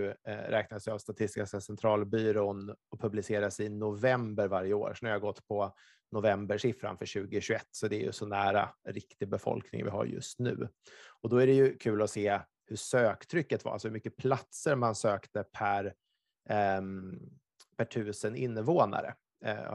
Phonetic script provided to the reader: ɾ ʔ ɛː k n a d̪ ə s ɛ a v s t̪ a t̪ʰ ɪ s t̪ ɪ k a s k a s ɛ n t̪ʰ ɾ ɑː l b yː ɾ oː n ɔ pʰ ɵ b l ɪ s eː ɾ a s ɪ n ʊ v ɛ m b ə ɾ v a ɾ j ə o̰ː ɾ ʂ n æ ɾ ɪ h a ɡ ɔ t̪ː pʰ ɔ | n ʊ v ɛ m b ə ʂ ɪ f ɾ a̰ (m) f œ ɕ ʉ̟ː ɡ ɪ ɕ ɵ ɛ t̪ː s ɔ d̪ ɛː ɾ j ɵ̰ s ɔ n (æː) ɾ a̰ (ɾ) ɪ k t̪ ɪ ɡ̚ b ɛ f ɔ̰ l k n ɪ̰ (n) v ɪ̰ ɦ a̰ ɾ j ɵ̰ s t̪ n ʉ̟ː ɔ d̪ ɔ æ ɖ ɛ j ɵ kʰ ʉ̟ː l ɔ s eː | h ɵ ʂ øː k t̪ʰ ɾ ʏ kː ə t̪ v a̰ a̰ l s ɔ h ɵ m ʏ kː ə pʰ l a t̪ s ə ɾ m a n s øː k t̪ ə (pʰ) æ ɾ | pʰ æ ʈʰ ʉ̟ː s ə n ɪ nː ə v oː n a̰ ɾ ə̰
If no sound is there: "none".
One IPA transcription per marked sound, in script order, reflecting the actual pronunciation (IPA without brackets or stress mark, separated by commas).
n, æː, ɾ, ŋ, pʰ